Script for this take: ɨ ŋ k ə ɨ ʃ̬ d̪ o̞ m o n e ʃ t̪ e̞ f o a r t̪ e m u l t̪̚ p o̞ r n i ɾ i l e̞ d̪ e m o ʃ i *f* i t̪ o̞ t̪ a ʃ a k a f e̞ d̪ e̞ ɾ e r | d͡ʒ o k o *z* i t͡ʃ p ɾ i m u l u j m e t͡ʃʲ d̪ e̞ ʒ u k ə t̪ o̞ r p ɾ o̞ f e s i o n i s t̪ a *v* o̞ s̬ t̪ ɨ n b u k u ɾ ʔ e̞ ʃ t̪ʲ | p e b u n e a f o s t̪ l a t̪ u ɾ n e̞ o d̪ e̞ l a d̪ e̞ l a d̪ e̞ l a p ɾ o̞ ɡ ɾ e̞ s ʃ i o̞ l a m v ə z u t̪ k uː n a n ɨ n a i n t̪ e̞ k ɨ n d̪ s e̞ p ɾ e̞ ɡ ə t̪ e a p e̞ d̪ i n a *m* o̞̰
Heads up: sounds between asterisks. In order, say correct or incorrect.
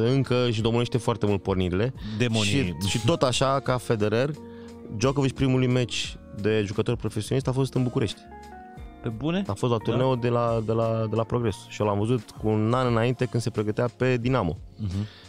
incorrect: ʃ, incorrect: v, incorrect: f, correct

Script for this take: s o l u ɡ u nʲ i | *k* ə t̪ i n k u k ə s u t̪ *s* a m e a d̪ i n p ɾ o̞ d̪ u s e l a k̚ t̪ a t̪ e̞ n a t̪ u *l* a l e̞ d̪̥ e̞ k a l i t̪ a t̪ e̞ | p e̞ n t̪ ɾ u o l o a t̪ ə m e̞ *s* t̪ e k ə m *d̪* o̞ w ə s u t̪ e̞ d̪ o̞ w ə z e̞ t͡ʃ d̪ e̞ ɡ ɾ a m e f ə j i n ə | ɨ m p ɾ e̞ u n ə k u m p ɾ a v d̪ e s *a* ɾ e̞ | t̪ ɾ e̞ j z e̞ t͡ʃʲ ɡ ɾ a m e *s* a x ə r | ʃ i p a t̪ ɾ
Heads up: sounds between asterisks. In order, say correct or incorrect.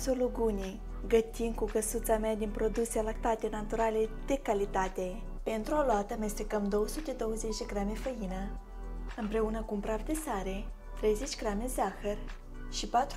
incorrect: ɡ, correct, incorrect: ɾ, correct, correct, correct, incorrect: z

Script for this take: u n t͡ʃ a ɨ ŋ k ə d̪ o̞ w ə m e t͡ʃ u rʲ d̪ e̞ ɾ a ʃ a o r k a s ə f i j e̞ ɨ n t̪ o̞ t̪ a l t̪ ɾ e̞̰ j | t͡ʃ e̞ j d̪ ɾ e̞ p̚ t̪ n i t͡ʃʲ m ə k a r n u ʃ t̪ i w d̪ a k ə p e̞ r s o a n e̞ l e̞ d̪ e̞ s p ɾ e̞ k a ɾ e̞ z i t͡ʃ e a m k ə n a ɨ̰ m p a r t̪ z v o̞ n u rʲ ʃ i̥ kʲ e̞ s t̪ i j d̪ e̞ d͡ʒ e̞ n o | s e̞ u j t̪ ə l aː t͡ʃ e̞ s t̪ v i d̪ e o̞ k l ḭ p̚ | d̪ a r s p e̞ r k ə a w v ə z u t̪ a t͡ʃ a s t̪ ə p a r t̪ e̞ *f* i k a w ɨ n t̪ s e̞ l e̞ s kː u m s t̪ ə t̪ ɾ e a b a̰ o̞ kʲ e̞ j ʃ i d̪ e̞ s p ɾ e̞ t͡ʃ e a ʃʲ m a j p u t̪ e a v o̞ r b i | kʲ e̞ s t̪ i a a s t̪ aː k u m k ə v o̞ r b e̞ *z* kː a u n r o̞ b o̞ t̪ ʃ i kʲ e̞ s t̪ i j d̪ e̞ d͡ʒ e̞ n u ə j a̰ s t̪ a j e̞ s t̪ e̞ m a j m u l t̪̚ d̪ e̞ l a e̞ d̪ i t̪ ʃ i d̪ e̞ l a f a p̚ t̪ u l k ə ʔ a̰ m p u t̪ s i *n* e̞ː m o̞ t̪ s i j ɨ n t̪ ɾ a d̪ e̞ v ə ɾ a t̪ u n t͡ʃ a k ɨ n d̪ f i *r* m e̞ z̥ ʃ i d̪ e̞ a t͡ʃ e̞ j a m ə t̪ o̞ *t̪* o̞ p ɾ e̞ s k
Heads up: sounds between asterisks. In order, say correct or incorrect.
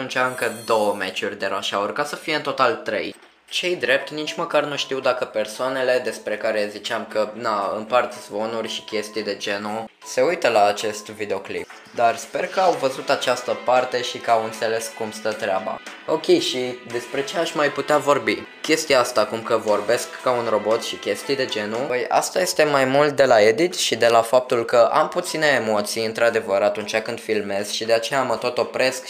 incorrect: ʃ, incorrect: s, correct, incorrect: l, correct

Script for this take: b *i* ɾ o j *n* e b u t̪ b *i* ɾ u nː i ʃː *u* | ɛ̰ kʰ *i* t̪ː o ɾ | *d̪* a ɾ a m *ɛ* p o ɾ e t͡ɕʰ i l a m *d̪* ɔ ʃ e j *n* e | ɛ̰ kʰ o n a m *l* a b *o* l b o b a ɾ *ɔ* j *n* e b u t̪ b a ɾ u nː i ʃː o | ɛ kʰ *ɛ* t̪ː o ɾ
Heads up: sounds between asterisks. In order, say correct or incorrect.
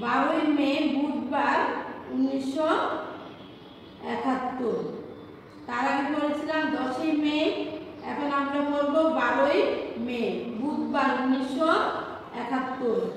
incorrect: a, incorrect: m, incorrect: a, incorrect: o, incorrect: a, incorrect: t̪, incorrect: i, correct, incorrect: m, incorrect: ɾ, correct, incorrect: o, incorrect: m, incorrect: a

